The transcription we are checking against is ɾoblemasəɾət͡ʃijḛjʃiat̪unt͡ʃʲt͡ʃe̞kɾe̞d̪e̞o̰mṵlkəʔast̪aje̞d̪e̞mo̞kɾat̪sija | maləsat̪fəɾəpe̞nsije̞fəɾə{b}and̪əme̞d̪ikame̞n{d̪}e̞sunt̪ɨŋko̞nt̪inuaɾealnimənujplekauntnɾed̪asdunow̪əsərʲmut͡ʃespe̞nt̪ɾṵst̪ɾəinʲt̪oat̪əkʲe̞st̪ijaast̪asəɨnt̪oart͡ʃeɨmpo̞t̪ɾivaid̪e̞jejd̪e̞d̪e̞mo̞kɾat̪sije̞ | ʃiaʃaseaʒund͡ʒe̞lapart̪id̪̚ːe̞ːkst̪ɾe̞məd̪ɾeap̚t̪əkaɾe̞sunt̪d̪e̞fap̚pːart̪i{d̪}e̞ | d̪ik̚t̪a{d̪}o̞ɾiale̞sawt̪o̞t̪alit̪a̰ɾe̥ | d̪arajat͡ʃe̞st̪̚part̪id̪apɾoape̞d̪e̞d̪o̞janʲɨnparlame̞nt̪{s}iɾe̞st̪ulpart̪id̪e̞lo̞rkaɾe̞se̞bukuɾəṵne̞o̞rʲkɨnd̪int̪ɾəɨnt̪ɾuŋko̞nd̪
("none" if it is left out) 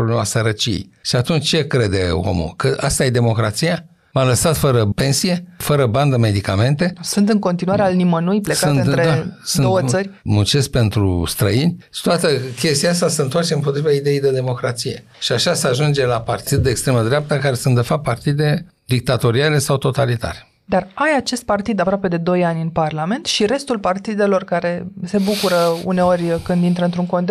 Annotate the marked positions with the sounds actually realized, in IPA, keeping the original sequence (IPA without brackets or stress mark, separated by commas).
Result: b, t̪, d̪, t̪, ʃ